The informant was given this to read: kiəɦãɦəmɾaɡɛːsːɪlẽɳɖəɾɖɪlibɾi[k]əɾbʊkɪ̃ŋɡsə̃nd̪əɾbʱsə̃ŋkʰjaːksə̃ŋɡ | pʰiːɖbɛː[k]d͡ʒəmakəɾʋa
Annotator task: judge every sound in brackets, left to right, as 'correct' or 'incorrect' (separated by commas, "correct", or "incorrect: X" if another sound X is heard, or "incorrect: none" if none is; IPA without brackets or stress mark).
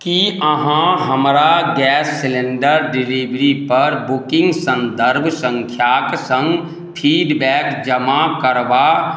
incorrect: p, correct